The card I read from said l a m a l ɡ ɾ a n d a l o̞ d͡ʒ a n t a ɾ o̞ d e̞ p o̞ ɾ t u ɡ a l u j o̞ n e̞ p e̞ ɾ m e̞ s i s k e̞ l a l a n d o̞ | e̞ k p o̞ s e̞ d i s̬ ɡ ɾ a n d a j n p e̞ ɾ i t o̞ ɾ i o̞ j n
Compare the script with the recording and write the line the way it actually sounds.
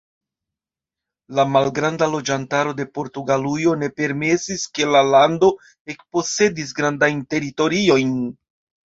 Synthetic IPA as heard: l a m a l ɡ ɾ a n d a l o̞ d͡ʒ a n t a ɾ o̞ d e̞ p o̞ ɾ t u ɡ a l u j o̞ n e̞ p e̞ ɾ m e̞ s i s k e̞ l a l a n d o̞ | e̞ k p o̞ s e̞ d i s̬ ɡ ɾ a n d a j n t e̞ ɾ i t o̞ ɾ i o̞ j n